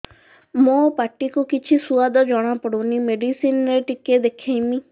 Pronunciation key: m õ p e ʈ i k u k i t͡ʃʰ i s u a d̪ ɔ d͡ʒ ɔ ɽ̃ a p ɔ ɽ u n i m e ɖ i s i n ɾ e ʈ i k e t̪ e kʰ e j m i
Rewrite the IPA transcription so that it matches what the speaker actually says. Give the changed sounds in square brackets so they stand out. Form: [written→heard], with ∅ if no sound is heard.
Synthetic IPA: m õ p [e→a] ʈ i k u k i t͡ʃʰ i s u a d̪ ɔ d͡ʒ ɔ ɽ̃ a p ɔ ɽ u n i m e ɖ i s i n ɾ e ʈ i k e [t̪→d̪] e kʰ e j m i